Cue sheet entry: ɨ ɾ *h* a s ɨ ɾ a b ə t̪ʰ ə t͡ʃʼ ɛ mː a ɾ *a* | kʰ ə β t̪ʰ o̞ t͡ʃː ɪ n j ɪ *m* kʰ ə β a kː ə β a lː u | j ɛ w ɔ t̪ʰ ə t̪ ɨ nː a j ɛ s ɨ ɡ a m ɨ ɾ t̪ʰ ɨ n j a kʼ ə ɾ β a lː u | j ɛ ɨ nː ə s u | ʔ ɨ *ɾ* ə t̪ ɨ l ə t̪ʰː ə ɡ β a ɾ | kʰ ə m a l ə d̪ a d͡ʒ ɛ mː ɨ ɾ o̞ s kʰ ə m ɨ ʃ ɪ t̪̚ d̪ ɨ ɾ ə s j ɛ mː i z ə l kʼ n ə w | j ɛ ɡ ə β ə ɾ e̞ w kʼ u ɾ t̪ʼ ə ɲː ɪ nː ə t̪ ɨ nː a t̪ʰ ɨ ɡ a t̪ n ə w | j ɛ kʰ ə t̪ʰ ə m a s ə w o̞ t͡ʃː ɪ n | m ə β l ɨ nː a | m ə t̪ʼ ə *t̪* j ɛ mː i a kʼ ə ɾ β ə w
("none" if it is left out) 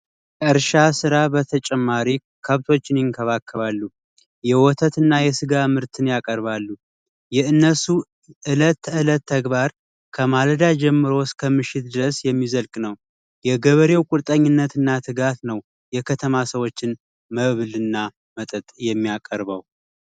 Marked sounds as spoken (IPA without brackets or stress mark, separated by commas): ʃ, i, ŋ, l, t̪ʼ